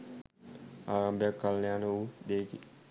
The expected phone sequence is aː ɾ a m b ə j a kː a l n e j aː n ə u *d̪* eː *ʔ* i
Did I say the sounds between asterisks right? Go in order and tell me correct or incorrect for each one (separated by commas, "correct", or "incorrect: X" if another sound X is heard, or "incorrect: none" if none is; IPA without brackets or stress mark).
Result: correct, incorrect: k